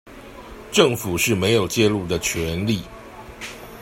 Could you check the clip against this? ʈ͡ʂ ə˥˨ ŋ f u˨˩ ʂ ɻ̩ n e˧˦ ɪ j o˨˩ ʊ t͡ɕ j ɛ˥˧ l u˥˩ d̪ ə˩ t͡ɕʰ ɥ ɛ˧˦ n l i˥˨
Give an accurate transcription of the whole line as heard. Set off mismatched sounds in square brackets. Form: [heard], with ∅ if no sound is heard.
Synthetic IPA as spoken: ʈ͡ʂ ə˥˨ ŋ f u˨˩ ʂ ɻ̩ [m] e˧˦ ɪ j o˨˩ ʊ t͡ɕ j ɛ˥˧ l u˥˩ d̪ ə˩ t͡ɕʰ ɥ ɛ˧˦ n l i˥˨